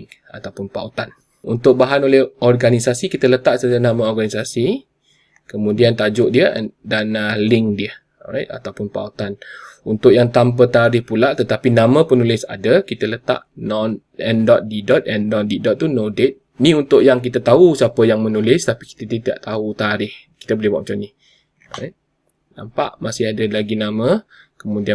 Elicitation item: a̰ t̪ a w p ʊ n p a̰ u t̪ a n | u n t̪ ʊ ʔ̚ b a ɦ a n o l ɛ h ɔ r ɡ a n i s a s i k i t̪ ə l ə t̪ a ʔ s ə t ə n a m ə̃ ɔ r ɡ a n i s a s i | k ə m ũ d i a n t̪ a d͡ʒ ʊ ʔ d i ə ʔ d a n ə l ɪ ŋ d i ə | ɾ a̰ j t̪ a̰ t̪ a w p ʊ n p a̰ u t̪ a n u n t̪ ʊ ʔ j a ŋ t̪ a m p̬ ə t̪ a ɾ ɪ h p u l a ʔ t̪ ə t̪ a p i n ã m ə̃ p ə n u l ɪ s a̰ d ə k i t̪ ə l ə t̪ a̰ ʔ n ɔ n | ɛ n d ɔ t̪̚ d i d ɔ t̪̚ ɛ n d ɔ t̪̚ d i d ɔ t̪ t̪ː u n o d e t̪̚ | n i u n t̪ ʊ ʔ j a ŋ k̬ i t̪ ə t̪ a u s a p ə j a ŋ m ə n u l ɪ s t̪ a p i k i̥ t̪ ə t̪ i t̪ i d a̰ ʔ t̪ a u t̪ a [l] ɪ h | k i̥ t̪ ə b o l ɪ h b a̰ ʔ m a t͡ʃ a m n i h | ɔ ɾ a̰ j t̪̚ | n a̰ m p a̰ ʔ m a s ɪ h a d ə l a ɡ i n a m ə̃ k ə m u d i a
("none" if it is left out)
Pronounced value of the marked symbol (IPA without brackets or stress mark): ɾ